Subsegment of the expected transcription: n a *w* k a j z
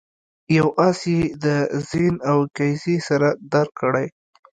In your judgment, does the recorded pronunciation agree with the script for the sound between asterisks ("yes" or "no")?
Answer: yes